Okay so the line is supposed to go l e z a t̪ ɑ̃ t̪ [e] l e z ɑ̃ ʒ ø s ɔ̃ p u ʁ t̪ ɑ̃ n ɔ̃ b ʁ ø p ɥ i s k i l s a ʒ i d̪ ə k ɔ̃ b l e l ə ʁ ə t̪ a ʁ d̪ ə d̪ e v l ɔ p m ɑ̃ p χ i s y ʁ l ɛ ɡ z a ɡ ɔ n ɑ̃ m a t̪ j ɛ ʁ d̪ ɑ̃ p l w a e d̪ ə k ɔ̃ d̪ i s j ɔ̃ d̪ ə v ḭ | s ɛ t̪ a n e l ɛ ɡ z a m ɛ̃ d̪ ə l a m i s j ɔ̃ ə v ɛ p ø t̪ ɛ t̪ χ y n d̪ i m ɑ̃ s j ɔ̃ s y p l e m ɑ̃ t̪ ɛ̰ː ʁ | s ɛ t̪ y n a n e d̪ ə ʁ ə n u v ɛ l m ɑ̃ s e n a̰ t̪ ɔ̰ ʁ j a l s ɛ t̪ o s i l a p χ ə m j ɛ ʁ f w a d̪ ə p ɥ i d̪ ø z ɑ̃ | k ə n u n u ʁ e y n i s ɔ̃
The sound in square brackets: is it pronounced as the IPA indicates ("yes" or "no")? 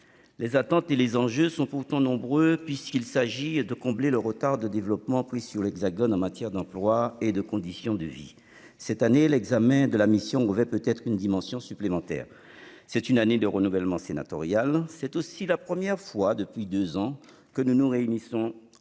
yes